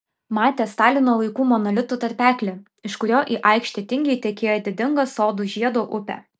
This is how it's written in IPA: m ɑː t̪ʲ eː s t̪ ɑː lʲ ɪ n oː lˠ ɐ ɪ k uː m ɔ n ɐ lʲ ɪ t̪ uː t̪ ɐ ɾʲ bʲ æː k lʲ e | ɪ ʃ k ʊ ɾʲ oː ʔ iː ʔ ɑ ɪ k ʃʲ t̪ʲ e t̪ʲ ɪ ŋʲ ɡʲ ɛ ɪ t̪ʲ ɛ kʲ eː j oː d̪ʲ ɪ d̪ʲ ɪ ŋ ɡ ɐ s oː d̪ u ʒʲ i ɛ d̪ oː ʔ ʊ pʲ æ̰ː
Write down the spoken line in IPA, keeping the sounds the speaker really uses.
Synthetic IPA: m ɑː t̪ʲ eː s t̪ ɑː lʲ ɪ n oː lˠ ɐ ɪ k uː m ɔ n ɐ lʲ ɪ t̪ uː t̪ ɐ ɾʲ pʲ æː k lʲ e | ɪ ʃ k ʊ ɾʲ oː ʔ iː ʔ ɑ ɪ k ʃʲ t̪ʲ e t̪ʲ ɪ ŋʲ ɡʲ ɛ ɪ t̪ʲ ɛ kʲ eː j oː d̪ʲ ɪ d̪ʲ ɪ ŋ ɡ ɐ s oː d̪ u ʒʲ i ɛ d̪ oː ʔ ʊ pʲ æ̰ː

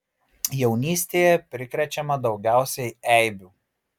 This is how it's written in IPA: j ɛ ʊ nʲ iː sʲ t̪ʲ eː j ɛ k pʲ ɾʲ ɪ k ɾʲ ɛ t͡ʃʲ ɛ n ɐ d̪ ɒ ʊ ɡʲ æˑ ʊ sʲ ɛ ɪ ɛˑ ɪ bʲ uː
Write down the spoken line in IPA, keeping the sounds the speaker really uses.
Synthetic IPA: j ɛ ʊ nʲ iː sʲ t̪ʲ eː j ɛ pʲ ɾʲ ɪ k ɾʲ ɛ t͡ʃʲ ɛ m ɐ d̪ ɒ ʊ ɡʲ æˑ ʊ sʲ ɛ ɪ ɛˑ ɪ bʲ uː

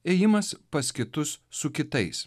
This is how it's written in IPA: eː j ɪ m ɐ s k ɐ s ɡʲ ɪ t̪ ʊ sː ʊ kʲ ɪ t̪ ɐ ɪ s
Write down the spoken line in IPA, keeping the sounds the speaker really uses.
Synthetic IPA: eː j ɪ m ɐ s p ɐ s kʲ ɪ t̪ ʊ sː ʊ kʲ ɪ t̪ ɐ ɪ s

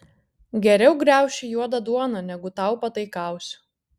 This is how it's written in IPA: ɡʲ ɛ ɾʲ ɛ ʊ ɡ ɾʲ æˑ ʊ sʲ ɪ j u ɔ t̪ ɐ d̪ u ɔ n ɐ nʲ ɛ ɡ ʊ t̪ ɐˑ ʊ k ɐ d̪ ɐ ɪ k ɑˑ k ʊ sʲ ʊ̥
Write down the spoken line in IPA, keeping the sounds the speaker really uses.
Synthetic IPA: ɡʲ ɛ ɾʲ ɛ ʊ ɡ ɾʲ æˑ ʊ ʃʲ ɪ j u ɔ d̪ ɐ d̪ u ɔ n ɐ nʲ ɛ ɡ ʊ t̪ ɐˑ ʊ p ɐ t̪ ɐ ɪ k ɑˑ ʊ sʲ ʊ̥

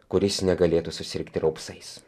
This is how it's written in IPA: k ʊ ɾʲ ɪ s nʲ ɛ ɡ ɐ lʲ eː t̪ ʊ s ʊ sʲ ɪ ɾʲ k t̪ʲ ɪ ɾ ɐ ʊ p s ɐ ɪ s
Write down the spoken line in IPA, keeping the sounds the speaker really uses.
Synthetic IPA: k ʊ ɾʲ ɪ s nʲ ɛ ɡ ɐ lʲ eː t̪ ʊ s ʊ sʲ ɪ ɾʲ k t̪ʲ ɪ ɾ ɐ ʊ p s ɐ ɪ s

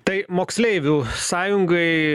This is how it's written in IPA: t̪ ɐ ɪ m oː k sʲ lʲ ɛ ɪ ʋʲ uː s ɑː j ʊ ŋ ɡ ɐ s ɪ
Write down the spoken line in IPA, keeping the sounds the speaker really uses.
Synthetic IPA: t̪ ɐ ɪ m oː k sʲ lʲ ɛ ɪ ʋʲ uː s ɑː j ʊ ŋ ɡ ɐ ɪ

